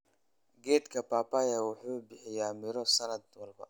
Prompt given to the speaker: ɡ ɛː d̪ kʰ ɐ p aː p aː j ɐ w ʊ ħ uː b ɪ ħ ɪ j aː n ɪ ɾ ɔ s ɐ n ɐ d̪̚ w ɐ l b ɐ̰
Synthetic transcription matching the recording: ɡ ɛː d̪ kʰ ɐ p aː p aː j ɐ w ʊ ħ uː b ɪ ħ ɪ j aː m ɪ ɾ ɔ s ɐ n ɐ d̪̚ w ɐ l b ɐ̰